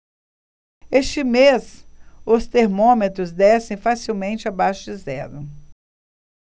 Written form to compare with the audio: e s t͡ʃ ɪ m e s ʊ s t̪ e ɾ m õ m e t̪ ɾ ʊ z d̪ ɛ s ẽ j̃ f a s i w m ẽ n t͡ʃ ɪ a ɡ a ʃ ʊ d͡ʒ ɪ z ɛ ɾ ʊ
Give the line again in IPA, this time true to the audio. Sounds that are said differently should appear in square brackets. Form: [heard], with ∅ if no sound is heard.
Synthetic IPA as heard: e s t͡ʃ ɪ m e s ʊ s t̪ e ɾ m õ m e t̪ ɾ ʊ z d̪ ɛ s ẽ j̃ f a s i w m ẽ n t͡ʃ ɪ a [b] a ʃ ʊ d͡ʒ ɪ z ɛ ɾ ʊ